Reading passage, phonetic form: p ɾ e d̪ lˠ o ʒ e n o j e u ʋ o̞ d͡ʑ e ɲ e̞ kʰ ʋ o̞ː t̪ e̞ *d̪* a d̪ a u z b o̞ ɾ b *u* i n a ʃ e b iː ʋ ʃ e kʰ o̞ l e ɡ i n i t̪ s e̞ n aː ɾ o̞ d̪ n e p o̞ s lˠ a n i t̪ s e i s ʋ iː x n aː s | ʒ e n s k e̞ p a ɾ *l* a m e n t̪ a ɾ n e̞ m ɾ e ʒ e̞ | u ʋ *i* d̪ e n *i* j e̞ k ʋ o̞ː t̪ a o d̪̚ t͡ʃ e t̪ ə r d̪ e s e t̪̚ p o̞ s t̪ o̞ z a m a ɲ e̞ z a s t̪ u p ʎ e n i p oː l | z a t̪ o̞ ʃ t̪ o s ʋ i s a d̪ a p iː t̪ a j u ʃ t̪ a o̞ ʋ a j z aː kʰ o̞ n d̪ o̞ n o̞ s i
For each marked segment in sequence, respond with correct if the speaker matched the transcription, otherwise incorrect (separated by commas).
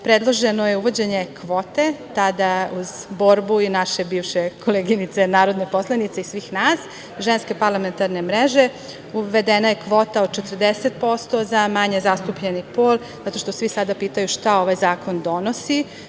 incorrect, correct, correct, incorrect, incorrect